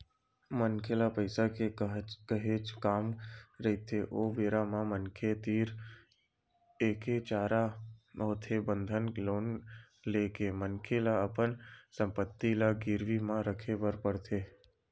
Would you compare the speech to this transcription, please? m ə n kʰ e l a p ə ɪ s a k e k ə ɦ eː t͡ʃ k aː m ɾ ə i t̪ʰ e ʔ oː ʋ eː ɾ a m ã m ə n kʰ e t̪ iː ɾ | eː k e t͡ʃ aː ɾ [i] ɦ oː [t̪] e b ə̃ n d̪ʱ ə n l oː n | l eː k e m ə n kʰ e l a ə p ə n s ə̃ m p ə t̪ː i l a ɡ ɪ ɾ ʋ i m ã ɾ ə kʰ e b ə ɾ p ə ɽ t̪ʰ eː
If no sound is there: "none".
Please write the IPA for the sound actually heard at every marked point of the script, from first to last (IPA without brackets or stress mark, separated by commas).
a, t̪ʰ